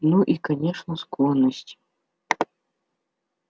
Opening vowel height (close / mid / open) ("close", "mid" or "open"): close